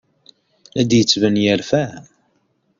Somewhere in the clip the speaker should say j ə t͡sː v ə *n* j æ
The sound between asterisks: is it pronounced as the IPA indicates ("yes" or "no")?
yes